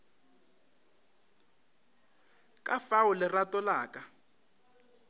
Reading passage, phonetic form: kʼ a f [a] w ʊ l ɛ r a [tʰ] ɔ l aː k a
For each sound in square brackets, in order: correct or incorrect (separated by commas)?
correct, incorrect